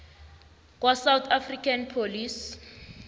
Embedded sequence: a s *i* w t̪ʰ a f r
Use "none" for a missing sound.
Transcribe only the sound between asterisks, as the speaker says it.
a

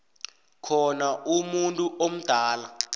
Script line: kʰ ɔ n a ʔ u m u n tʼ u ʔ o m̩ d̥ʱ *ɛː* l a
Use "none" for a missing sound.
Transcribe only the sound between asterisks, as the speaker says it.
aː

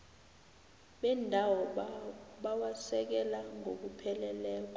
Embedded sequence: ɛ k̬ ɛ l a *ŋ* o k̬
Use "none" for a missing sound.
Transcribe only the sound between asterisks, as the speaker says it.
ŋ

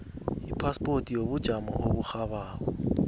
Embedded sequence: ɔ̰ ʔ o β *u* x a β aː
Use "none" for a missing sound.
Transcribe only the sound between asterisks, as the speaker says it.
u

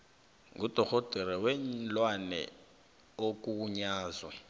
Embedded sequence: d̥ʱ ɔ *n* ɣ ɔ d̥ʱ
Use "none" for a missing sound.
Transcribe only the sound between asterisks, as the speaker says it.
none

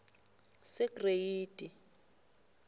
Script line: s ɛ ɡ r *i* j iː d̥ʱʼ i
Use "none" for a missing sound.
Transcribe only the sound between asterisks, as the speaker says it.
e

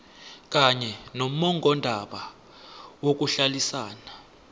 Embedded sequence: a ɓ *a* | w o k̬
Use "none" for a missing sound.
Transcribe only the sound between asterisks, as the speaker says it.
a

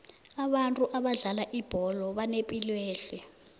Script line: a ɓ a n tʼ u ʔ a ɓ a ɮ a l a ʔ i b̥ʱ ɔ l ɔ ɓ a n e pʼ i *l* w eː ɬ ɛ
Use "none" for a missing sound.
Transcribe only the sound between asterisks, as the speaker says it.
l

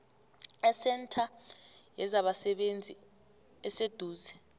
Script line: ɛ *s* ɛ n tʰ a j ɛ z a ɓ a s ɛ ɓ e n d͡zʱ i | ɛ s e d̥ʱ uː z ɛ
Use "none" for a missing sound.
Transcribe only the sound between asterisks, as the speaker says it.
s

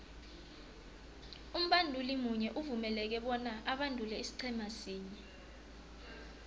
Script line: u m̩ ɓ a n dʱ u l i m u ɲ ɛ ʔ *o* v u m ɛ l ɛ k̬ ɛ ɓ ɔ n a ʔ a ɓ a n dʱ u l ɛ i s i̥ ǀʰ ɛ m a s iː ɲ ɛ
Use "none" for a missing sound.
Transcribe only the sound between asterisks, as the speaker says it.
u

